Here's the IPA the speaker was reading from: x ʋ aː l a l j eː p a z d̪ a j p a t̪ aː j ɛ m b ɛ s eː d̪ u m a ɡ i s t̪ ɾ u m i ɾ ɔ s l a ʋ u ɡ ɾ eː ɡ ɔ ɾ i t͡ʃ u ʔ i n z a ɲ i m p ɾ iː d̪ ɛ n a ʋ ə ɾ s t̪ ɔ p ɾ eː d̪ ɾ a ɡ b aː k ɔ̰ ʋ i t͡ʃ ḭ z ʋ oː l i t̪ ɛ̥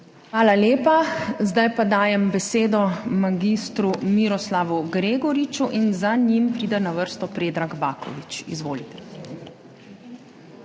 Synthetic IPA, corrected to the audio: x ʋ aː l a l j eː p a z d̪ a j p a d̪ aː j ɛ m b ɛ s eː d̪ ɔ m a ɡ i s t̪ ɾ u m i ɾ ɔ s l a ʋ u ɡ ɾ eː ɡ ɔ ɾ i t͡ʃ u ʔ i n z a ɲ i m p ɾ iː d̪ ɛ n a ʋ ə ɾ s t̪ ɔ p ɾ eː d̪ ɾ a ɡ b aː k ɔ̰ ʋ i t͡ʃ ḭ z ʋ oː l i t̪ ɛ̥

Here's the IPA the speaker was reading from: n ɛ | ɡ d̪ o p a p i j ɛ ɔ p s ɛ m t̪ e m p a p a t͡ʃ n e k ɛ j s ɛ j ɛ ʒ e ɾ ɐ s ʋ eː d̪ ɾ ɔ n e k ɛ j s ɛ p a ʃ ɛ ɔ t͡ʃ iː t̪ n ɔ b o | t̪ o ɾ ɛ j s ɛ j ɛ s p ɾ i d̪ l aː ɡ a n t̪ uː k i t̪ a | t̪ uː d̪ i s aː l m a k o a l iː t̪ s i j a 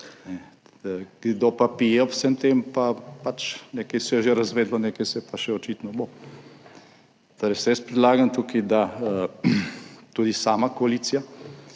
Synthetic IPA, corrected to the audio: n ɛ | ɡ d̪ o p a p i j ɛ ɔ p s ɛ m t̪ e m p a p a t͡ʃ n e k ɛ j s ɛ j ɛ ʒ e ɾ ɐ z ʋ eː d̪ l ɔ n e k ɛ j s ɛ p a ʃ ɛ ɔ t͡ʃ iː t̪ n ɔ b o | t̪ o ɾ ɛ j s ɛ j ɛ s p ɾ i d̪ l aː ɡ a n t̪ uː k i d̪ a | t̪ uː d̪ i s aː m a k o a l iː t̪ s i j a

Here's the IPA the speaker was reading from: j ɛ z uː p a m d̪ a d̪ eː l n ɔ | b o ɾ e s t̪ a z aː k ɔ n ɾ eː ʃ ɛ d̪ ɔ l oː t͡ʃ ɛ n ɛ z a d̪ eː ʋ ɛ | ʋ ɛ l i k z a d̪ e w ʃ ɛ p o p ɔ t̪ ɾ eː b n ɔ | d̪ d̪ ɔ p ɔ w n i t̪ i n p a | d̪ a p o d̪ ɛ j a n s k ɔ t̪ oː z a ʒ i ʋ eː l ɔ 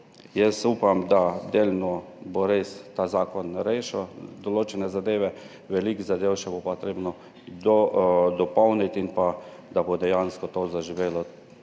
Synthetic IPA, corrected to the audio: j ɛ s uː p a m d̪ a d̪ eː l n ɔ | b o ɾ e s t̪ a z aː k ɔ n ɾ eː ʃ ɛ d̪ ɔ l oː t͡ʃ ɛ n ɛ z a d̪ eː ʋ ɛ | ʋ ɛ l i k z a d̪ e w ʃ ɛ b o p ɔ t̪ ɾ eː b n ɔ | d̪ d̪ ɔ p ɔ w n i t̪ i n p a | d̪ a b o d̪ ɛ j a n s k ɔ t̪ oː z a ʒ i ʋ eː l ɔ

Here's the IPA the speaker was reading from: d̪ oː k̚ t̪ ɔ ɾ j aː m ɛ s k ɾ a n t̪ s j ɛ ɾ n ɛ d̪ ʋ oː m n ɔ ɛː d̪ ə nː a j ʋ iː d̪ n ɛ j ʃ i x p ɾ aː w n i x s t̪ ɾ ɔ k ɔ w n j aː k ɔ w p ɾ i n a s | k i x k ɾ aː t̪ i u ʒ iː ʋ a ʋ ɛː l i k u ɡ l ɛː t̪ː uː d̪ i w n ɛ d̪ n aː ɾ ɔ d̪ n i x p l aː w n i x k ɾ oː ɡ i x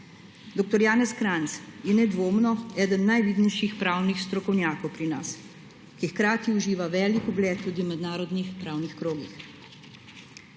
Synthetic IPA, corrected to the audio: d̪ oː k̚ t̪ ɔ ɾ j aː n ɛ s k ɾ a n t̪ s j ɛ n ɛ d̪ ʋ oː m n ɔ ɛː d̪ ə nː a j ʋ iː d̪ n ɛ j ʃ i x p ɾ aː w n i x s t̪ ɾ ɔ k ɔ w n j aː k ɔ w p ɾ i n a s | k i x k ɾ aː t̪ i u ʒ iː ʋ a ʋ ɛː l i k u ɡ l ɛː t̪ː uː d̪ i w m ɛ d̪ n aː ɾ ɔ d̪ n i x p ɾ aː w n i x k ɾ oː ɡ i x

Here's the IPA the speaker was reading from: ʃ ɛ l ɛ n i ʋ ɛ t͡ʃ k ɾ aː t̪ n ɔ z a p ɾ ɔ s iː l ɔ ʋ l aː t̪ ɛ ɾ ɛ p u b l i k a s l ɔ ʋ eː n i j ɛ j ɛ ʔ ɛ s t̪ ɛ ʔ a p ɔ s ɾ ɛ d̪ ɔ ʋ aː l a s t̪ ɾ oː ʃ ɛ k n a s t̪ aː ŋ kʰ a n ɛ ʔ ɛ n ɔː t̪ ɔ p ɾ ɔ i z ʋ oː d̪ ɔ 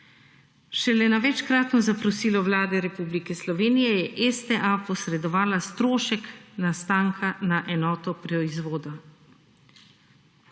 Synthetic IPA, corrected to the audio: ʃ ɛ l ɛ n a ʋ ɛ t͡ʃ k ɾ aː t̪ n ɔ z a p ɾ ɔ s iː l ɔ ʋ l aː d̪ ɛ ɾ ɛ p u b l i k ɛ s l ɔ ʋ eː n i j ɛ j ɛ ʔ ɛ s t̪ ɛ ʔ a p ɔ s ɾ ɛ d̪ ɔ ʋ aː l a s t̪ ɾ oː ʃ ɛ k n a s t̪ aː ŋ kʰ a n a ʔ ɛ n ɔː t̪ ɔ p ɾ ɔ i z ʋ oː d̪ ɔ

